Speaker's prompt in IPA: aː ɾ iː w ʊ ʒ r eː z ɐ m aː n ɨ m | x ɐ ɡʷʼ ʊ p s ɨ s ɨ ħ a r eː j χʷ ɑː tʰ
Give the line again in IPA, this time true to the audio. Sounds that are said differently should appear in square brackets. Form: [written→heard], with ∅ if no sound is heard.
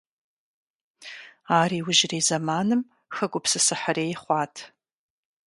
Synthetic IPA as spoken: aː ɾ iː w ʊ ʒ r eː z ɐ m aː n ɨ m | x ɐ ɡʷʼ ʊ p s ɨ s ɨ ħ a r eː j χʷ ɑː tʰ

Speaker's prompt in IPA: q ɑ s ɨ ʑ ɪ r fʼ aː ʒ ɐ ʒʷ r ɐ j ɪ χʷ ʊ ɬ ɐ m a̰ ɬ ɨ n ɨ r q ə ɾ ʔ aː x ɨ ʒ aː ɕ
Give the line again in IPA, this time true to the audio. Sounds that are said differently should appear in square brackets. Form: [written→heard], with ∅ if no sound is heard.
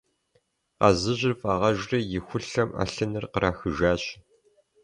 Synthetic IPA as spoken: q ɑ [s→z] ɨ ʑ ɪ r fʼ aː [ʒ→ʁ] ɐ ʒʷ r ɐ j ɪ [χʷ→xʷ] ʊ ɬ ɐ m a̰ ɬ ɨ n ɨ r q ə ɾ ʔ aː x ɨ ʒ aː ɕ

